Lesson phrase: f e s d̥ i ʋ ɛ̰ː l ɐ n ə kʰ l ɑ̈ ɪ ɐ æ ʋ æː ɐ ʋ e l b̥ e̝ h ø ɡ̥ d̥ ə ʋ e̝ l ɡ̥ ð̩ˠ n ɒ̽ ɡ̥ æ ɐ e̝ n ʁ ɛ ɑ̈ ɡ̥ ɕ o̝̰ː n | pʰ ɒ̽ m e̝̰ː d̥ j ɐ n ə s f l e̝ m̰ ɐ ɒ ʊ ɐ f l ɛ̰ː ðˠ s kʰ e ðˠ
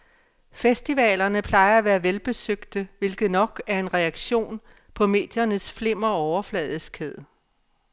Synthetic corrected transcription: f e s d̥ i ʋ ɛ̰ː l ɐ n ə pʰ l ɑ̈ ɪ ɐ æ ʋ æː ɐ ʋ e l b̥ e̝ s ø ɡ̥ d̥ ə ʋ e̝ l ɡ̥ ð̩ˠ n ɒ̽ ɡ̥ æ ɐ e̝ n ʁ ɛ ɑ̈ ɡ̥ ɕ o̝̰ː n | pʰ ɒ̽ m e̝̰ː d̥ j ɐ n ə s f l e̝ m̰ ɐ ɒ ʊ ɐ f l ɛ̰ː ðˠ s kʰ e ðˠ